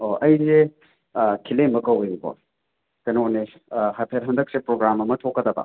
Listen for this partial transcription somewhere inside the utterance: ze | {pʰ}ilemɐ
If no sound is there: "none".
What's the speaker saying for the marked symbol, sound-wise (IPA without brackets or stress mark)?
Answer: kʰ